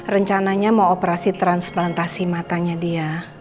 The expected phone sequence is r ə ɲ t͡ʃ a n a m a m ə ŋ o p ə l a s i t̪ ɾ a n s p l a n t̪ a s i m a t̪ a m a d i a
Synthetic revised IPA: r ə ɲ t͡ʃ a n a ɲ a m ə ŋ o p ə ɾ a s i t̪ ɾ a n s p l a n t̪ a s i m a t̪ a ɲ a d i a